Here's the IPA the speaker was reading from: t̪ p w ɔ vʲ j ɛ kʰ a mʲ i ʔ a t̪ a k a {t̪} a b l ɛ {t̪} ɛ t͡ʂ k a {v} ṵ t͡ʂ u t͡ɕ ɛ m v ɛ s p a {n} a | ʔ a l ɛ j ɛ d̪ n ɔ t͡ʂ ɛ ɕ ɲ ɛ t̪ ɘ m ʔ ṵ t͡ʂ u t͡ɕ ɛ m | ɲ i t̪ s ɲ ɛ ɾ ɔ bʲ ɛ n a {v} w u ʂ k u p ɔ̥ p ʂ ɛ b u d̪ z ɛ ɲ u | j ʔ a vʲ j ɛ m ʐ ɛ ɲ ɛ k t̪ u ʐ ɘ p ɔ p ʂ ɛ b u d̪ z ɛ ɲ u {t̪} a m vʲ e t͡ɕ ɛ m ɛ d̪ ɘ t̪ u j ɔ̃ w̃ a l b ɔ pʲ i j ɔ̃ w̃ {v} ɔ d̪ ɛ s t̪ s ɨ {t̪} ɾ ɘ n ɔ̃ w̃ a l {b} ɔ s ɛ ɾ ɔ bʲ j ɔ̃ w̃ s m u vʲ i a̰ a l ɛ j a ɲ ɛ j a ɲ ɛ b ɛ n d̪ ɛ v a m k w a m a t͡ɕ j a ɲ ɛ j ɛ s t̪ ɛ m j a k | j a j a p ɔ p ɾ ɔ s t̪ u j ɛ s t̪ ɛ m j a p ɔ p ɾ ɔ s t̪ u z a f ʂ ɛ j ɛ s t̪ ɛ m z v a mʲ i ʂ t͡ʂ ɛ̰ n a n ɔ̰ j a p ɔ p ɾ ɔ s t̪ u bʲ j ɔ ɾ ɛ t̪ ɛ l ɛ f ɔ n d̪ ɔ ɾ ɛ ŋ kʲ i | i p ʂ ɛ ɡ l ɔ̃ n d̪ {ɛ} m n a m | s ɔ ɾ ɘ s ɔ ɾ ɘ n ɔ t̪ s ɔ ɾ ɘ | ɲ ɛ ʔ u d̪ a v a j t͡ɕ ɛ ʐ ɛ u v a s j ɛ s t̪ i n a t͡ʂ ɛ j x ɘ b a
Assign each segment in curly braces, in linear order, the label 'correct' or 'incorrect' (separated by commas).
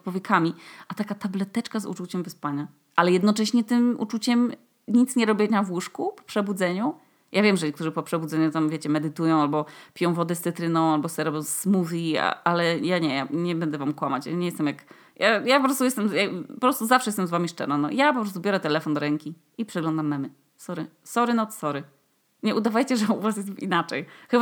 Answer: correct, correct, incorrect, incorrect, correct, correct, correct, correct, correct, incorrect